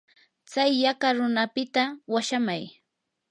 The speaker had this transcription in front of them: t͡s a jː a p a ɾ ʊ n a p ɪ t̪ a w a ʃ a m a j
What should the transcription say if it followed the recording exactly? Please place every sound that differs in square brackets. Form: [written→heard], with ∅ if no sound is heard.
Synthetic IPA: t͡s a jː a [p→k] a ɾ ʊ n a p ɪ t̪ a w a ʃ a m a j

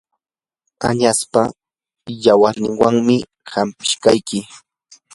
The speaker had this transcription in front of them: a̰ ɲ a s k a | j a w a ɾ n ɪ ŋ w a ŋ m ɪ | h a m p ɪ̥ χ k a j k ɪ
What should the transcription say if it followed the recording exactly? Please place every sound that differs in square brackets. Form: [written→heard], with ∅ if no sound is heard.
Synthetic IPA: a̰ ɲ a s [k→p] a | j a w a ɾ n ɪ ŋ w a ŋ m ɪ | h a m p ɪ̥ [χ→ʃ] k a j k ɪ

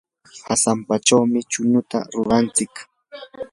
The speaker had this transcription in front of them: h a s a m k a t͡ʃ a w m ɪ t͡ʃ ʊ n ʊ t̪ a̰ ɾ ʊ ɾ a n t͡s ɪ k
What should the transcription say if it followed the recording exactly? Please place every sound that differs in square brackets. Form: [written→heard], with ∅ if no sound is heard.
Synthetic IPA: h a s a m [k→p] a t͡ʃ a w m ɪ t͡ʃ ʊ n ʊ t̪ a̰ ɾ ʊ ɾ a n t͡s ɪ k

